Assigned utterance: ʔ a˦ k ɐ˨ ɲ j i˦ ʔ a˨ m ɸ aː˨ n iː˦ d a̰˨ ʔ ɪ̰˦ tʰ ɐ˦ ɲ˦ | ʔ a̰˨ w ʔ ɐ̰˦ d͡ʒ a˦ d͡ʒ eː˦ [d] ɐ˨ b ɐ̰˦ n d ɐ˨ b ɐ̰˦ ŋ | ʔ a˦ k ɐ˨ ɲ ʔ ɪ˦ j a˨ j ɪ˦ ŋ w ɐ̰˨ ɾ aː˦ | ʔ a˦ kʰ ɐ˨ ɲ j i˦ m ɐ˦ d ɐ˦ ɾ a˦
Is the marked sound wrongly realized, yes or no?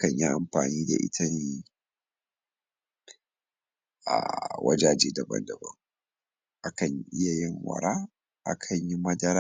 no